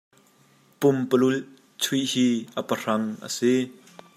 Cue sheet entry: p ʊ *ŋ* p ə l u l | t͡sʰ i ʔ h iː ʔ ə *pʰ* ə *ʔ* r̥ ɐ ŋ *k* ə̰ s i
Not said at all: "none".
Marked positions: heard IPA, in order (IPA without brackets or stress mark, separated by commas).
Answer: m, p, none, ʔ